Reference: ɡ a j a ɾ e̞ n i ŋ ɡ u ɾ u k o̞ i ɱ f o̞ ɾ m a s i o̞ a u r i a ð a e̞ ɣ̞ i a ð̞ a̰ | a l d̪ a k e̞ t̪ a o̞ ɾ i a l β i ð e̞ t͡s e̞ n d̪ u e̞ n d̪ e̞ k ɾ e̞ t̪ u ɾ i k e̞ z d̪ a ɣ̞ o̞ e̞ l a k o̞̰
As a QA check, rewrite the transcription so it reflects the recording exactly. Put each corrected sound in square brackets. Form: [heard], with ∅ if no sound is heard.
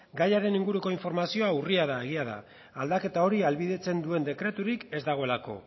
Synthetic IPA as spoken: ɡ a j a ɾ e̞ n i ŋ ɡ u ɾ u k o̞ i ɱ f o̞ ɾ m a s i o̞ a u r i a ð a e̞ ɣ̞ i a ð̞ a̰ | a l d̪ a k e̞ t̪ a o̞ ɾ i a l β i ð e̞ t͡s e̞ n d̪ u e̞ n d̪ e̞ k ɾ e̞ t̪ u ɾ i k e̞ z d̪ a ɣ̞ o̞ e̞ l a k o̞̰